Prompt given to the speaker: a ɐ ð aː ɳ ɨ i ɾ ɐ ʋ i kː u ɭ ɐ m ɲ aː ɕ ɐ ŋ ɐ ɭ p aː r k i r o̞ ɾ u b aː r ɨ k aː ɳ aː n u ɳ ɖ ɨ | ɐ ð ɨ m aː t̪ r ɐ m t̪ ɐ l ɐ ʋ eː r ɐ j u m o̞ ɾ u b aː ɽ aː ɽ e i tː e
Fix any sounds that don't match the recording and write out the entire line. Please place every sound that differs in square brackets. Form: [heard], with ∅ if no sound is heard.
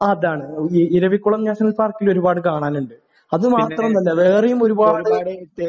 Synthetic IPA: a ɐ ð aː ɳ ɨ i ɾ ɐ ʋ i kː u ɭ ɐ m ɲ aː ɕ ɐ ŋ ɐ [l] p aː r k i [l] o̞ ɾ u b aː [ɽ] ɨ k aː ɳ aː n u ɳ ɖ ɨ | ɐ ð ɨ m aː t̪ r ɐ m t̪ ɐ [lː] ɐ ʋ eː r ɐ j u m o̞ ɾ u b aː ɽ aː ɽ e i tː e